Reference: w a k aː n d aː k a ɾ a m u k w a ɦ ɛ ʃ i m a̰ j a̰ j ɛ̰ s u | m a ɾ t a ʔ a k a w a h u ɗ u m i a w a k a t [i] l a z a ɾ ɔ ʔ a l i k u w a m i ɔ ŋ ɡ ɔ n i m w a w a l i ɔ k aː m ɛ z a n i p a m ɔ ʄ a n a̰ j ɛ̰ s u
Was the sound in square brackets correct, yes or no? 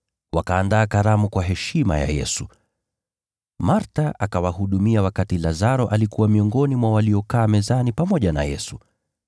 yes